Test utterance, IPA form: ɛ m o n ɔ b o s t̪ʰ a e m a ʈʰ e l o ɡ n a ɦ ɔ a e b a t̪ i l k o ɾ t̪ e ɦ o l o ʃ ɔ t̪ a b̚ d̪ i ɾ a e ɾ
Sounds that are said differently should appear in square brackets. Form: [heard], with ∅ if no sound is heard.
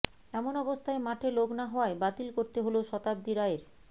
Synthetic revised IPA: ɛ m o n ɔ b o s t̪ʰ a e m a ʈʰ e l o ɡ n a ɦ ɔ a e b a t̪ i l k o ɾ t̪ e ɦ o l o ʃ ɔ t̪ a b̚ d̪ i ɾ a e ɾ